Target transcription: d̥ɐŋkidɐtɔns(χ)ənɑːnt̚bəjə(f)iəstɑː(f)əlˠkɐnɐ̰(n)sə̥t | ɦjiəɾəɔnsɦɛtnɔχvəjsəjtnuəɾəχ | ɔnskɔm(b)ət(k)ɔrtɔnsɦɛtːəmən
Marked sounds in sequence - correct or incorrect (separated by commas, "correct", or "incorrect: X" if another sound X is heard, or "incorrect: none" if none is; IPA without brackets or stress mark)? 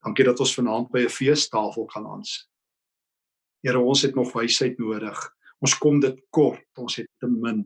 incorrect: f, correct, correct, correct, incorrect: d, correct